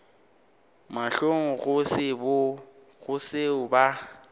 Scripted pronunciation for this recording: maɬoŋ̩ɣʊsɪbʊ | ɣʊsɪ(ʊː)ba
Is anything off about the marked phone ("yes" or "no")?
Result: yes